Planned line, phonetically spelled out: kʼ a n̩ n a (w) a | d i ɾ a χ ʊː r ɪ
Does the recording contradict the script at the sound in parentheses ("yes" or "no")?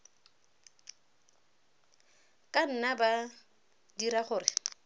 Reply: yes